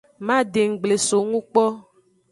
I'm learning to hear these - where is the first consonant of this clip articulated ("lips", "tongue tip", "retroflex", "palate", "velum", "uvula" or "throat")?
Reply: lips